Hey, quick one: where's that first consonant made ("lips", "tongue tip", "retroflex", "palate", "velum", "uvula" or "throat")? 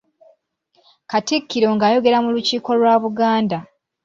velum